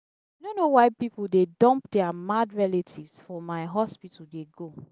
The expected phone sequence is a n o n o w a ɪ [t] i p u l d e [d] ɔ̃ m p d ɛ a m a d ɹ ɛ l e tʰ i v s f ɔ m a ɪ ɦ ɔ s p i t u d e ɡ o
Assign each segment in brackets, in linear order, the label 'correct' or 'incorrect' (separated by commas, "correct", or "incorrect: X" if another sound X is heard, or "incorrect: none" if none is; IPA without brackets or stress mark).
incorrect: p, correct